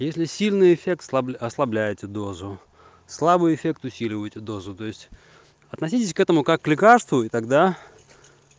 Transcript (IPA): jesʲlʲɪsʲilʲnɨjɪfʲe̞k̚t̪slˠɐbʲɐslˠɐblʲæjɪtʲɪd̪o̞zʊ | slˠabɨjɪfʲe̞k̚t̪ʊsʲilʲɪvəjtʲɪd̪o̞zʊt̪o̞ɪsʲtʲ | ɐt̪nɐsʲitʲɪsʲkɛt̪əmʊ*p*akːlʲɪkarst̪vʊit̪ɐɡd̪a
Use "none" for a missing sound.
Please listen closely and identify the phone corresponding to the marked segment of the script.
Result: k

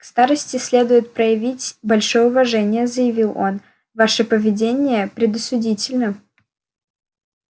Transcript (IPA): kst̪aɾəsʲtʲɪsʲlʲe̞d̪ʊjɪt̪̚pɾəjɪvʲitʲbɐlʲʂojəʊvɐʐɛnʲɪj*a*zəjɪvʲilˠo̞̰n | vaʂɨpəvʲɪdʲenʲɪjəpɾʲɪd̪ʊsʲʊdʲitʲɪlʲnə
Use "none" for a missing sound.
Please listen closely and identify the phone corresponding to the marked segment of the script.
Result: ə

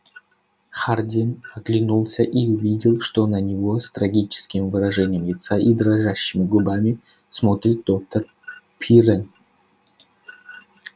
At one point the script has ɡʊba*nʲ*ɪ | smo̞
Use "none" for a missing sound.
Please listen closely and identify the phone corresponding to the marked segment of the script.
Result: mʲ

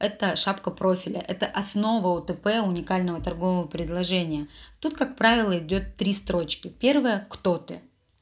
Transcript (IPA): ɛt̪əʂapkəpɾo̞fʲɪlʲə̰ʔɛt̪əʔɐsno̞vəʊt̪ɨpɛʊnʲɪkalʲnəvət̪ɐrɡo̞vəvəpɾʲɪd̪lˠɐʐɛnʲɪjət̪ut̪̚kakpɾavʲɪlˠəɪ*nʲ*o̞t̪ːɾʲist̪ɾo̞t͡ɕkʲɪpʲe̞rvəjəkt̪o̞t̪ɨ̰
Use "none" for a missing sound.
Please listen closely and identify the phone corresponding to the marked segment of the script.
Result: dʲ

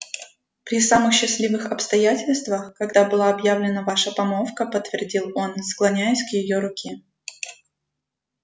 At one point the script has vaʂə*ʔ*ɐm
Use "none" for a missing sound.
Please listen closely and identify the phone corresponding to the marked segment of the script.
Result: p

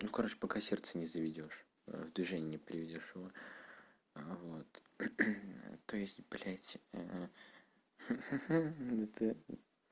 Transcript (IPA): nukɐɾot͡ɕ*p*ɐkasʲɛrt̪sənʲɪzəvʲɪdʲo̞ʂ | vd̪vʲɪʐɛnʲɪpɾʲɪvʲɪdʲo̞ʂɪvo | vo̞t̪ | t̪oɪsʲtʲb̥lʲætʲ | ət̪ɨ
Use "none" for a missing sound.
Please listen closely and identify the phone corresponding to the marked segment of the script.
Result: p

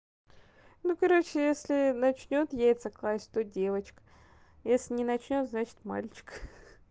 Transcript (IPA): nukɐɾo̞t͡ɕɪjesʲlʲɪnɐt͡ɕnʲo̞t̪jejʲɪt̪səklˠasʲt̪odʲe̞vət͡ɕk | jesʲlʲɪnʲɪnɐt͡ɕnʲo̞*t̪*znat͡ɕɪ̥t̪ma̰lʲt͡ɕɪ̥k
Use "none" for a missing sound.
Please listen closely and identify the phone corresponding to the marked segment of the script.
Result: t̪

